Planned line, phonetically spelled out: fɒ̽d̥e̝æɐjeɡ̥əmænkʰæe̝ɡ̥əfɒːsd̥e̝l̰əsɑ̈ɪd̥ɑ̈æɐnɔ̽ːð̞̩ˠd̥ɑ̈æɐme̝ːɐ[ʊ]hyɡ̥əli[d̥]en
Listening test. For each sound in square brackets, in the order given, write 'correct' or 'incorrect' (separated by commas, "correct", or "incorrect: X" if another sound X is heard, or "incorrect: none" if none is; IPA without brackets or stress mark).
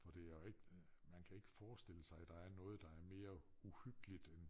incorrect: u, correct